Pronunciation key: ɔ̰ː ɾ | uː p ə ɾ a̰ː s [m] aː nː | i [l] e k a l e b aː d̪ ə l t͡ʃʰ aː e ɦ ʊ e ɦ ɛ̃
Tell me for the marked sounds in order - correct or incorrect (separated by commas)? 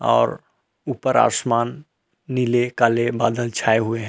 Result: correct, correct